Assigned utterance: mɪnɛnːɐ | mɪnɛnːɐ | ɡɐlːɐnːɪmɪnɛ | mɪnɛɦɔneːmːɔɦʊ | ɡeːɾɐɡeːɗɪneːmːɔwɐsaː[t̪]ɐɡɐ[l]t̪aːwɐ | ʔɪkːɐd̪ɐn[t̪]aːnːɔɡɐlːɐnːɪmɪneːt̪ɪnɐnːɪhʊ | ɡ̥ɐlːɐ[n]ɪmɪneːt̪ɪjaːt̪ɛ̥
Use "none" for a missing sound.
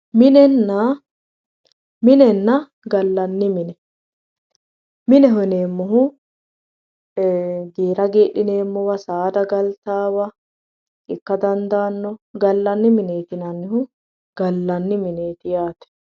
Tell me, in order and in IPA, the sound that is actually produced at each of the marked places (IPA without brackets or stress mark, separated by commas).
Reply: d̪, l, d̪, nː